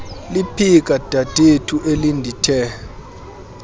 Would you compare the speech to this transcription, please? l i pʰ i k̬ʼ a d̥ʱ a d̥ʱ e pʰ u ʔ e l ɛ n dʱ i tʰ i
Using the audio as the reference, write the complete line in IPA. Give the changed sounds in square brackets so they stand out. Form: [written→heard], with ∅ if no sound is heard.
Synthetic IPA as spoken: l i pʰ i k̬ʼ a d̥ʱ a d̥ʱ e [pʰ→tʰ] u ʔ e l [ɛ→i] n dʱ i tʰ [i→ɛ]

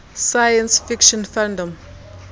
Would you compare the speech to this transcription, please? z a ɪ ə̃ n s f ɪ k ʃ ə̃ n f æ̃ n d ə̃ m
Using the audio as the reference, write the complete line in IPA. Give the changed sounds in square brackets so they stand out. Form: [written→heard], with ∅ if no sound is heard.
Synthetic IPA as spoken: [z→s] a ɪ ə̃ n s f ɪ k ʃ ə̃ n f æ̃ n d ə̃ m

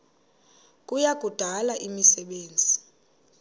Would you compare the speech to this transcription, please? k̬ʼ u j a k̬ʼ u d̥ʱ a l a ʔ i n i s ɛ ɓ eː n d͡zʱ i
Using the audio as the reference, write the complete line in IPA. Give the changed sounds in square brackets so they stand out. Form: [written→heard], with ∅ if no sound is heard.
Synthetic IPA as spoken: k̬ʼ u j a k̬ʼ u d̥ʱ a l a ʔ i [n→m] i s ɛ ɓ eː n d͡zʱ i

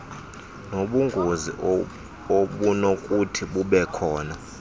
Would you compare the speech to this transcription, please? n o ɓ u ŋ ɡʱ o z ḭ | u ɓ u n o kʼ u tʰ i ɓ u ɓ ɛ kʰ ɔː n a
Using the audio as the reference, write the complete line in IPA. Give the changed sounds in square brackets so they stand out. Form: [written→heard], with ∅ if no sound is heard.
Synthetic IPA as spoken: n o ɓ u ŋ ɡʱ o z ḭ | [u→o] ɓ u n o kʼ u tʰ i ɓ u ɓ ɛ kʰ ɔː n a

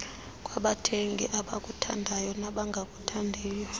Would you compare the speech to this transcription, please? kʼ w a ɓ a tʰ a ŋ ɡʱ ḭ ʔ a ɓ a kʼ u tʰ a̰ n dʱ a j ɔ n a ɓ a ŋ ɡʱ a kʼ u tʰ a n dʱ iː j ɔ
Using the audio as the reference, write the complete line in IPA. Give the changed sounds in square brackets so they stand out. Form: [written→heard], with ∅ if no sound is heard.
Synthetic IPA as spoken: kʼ w a ɓ a tʰ [a→e] ŋ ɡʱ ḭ ʔ a ɓ a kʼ u tʰ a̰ n dʱ a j ɔ n a ɓ a ŋ ɡʱ a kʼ u tʰ a n dʱ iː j ɔ

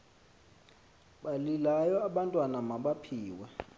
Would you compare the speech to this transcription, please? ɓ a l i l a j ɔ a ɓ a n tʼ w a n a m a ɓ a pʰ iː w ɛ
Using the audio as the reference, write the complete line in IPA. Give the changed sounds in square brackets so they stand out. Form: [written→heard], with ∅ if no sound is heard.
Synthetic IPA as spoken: ɓ a l i l a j ɔ a ɓ a n tʼ w a n a m a ɓ a pʰ iː w ɛ

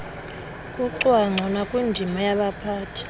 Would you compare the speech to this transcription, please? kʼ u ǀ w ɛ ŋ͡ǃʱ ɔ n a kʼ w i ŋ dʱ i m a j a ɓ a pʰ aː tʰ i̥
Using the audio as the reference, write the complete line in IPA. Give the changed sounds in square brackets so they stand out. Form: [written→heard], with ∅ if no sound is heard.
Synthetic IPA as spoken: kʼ u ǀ w [ɛ→a] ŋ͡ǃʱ ɔ n a kʼ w i [ŋ→n] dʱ i m a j a ɓ a pʰ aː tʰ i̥

